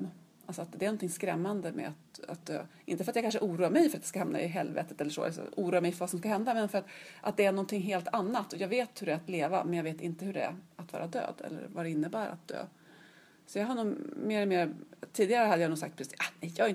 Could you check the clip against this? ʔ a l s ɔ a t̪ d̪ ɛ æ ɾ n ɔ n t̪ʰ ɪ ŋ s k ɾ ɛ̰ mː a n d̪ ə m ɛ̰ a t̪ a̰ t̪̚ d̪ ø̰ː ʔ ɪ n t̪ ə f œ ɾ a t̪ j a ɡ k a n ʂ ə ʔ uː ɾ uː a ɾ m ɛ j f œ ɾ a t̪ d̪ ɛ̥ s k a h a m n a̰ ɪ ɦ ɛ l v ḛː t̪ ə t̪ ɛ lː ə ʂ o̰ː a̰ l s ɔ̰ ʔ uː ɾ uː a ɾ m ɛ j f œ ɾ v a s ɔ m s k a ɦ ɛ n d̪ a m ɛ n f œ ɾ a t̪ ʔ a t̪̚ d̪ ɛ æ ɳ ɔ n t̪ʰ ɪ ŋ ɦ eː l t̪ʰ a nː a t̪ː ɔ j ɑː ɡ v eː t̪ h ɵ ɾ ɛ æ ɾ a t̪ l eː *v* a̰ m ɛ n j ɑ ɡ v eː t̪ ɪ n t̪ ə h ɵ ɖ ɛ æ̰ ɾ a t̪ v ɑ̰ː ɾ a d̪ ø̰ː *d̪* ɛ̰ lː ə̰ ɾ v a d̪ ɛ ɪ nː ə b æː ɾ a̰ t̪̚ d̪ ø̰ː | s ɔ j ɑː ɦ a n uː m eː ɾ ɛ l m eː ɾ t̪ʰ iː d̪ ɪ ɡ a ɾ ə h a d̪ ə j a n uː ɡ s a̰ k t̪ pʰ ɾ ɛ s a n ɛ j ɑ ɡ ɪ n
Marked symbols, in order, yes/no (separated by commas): yes, yes